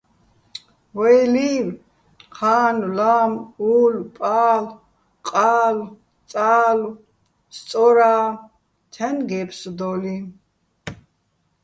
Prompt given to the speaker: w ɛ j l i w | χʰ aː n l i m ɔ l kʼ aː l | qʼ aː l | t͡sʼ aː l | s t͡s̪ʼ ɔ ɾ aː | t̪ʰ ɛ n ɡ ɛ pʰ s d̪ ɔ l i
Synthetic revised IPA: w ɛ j l i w | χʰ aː n l a m u l pʼ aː l | qʼ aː l | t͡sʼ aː l | s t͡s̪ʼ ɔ ɾ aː | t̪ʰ ɛ n ɡ ɛ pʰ s d̪ ɔ l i